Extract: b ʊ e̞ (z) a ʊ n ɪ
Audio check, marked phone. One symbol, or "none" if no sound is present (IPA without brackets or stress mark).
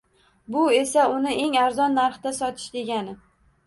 s